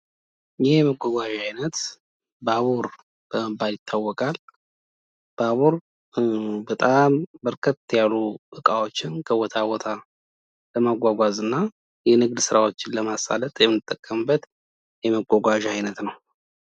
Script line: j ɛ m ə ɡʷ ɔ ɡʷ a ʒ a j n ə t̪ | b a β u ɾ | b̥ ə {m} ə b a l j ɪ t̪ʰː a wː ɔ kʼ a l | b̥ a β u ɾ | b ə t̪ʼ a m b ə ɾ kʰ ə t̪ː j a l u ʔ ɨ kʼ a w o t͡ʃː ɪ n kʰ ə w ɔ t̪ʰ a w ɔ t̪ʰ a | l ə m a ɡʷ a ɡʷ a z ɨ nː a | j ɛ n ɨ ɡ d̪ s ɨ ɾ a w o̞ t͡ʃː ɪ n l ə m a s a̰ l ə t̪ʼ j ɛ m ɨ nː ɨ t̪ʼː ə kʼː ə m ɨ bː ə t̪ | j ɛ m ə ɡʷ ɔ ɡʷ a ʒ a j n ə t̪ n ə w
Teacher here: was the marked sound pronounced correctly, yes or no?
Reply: yes